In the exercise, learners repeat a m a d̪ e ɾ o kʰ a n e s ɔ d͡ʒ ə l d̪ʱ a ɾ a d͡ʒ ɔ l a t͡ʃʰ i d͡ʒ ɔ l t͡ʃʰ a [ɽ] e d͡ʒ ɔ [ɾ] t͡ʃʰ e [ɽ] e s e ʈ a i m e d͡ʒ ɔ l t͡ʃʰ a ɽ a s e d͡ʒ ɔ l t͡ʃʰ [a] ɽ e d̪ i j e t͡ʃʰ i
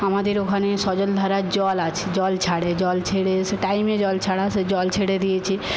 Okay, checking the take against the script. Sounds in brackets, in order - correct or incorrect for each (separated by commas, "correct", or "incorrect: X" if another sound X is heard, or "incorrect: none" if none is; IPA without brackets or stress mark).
correct, incorrect: l, correct, incorrect: e